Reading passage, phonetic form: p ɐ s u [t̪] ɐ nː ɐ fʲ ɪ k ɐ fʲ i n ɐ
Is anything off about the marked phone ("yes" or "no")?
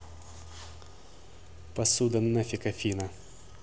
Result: yes